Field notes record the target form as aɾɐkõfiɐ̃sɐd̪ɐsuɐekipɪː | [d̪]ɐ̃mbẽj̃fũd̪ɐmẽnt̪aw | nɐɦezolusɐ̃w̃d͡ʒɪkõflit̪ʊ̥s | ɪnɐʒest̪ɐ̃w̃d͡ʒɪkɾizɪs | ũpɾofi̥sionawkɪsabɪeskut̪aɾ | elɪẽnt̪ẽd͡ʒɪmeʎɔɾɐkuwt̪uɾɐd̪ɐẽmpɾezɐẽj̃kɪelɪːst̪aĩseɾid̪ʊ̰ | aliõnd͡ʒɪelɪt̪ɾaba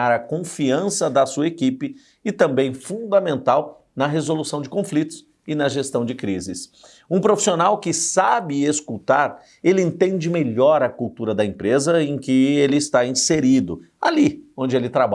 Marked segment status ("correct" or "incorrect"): incorrect